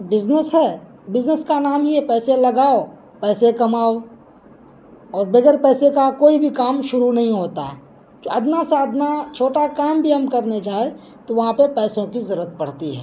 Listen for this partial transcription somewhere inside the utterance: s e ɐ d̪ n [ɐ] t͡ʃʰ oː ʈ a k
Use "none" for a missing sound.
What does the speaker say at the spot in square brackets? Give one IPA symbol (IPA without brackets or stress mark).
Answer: a